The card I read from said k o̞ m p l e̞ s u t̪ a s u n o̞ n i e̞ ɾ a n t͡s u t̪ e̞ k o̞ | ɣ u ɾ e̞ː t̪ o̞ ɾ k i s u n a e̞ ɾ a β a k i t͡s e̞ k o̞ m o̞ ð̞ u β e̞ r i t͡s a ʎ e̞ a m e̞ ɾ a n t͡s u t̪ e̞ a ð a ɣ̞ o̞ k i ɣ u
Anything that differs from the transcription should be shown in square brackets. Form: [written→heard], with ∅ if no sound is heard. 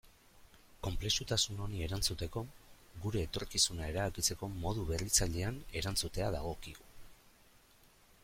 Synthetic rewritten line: k o̞ m p l e̞ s u t̪ a s u n o̞ n i e̞ ɾ a n t͡s u t̪ e̞ k o̞ | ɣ u ɾ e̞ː t̪ o̞ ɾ k i s u n a e̞ ɾ a β a k i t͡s e̞ k o̞ m o̞ ð̞ u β e̞ r i t͡s a ʎ e̞ a [m→n] e̞ ɾ a n t͡s u t̪ e̞ a ð a ɣ̞ o̞ k i ɣ u